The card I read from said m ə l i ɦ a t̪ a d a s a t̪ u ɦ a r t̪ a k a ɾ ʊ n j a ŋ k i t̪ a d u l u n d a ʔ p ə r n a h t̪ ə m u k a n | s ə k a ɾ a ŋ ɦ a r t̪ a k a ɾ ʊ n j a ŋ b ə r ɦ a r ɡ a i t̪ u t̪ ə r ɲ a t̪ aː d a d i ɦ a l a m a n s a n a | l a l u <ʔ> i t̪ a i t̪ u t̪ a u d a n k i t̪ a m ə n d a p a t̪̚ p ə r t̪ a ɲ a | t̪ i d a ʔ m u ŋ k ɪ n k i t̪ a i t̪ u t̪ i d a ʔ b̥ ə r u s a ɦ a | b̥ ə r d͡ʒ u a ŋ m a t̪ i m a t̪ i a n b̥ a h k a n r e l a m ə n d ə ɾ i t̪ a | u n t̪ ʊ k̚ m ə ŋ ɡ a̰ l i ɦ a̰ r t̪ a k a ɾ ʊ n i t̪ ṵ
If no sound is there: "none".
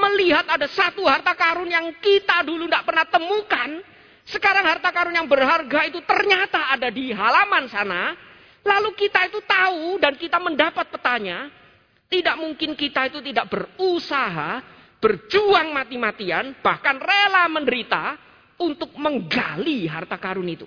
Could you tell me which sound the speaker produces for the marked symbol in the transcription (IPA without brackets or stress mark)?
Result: k